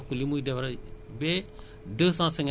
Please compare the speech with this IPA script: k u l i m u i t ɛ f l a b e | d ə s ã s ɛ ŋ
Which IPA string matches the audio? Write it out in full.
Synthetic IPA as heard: k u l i m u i d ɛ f ɾ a b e | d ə s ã s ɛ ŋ